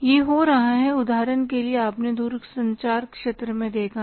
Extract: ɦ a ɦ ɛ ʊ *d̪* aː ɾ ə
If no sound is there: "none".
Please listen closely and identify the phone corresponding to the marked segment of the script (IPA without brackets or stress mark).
d̪